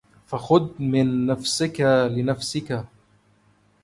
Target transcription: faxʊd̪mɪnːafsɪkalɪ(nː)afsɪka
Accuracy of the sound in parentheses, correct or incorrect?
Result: incorrect